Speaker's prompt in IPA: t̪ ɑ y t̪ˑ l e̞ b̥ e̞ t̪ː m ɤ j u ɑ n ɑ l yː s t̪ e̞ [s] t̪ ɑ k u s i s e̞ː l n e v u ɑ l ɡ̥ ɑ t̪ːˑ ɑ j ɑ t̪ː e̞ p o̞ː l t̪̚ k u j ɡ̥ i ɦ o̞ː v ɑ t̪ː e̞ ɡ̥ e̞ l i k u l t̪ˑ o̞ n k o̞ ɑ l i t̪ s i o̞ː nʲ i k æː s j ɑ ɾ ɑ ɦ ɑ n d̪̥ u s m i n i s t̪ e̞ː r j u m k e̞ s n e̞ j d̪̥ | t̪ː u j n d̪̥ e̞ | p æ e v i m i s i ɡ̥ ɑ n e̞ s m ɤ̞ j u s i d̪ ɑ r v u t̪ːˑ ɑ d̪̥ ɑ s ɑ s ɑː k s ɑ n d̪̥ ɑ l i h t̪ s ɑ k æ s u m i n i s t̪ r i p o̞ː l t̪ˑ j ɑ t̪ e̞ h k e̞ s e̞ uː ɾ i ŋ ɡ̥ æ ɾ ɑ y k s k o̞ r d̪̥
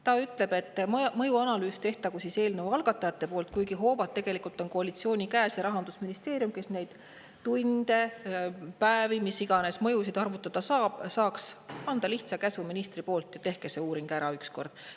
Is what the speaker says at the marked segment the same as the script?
no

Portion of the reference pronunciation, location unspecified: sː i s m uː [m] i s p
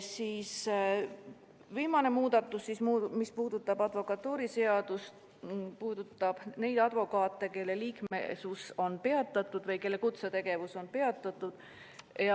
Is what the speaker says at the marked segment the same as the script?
yes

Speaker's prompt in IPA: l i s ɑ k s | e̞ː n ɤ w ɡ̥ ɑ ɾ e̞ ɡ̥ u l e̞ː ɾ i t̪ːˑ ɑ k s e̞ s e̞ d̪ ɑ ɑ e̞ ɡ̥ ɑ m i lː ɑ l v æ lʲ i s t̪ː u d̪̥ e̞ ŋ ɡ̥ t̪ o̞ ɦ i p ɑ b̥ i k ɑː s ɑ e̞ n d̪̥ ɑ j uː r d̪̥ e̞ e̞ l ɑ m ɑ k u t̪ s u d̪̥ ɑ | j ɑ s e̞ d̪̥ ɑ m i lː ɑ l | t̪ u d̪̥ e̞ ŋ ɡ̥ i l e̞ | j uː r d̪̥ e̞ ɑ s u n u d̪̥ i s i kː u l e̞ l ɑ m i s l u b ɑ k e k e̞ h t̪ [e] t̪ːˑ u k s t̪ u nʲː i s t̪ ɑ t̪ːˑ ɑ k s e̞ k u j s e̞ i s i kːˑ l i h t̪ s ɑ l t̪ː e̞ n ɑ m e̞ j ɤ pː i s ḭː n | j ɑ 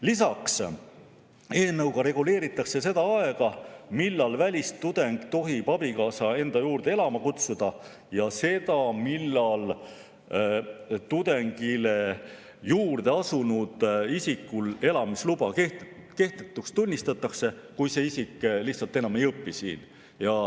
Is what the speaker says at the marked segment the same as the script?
yes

